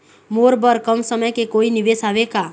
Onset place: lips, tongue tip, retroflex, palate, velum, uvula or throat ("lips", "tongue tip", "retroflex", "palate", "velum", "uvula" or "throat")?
lips